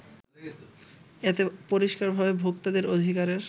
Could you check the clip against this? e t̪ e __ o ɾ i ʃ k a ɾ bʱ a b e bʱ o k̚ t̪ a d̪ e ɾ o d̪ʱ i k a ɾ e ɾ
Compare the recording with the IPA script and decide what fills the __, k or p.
p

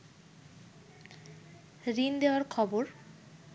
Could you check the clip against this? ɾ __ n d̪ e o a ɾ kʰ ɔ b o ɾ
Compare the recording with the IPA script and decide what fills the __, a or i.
i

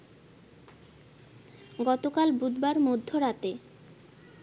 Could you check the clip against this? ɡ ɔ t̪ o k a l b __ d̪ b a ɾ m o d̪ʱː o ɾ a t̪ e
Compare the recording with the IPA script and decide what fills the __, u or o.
u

